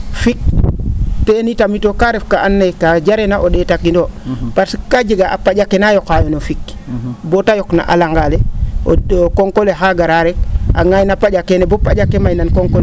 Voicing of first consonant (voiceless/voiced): voiceless